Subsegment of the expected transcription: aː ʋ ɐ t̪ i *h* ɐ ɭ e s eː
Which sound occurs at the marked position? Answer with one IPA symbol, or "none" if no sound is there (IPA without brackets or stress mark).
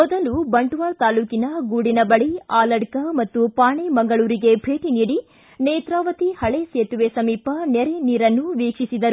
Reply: h